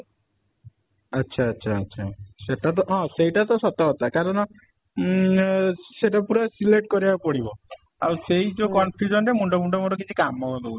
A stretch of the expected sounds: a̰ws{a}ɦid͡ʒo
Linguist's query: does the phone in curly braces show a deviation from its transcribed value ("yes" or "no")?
yes